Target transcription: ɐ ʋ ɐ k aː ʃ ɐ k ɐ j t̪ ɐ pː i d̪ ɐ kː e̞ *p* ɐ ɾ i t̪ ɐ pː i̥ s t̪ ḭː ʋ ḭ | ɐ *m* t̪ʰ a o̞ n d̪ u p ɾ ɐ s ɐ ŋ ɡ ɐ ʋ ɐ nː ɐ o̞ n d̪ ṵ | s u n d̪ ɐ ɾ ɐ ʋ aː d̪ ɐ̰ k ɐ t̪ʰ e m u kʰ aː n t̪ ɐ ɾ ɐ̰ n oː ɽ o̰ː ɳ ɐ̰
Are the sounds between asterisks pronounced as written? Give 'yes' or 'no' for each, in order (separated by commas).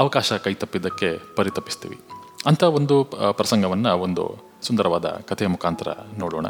yes, no